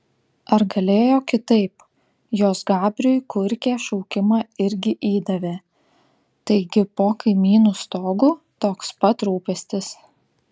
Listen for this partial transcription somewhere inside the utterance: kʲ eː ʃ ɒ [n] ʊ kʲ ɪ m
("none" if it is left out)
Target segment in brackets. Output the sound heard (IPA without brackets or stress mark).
none